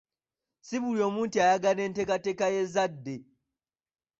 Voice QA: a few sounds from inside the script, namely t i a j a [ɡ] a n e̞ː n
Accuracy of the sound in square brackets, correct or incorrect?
correct